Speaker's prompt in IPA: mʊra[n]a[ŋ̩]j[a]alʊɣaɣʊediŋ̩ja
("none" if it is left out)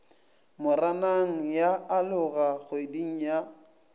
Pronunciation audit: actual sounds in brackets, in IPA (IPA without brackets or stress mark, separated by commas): n, ŋ̩, a